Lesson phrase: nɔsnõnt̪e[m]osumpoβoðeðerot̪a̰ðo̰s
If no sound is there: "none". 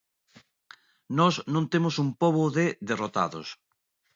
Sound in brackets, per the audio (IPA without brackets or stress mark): m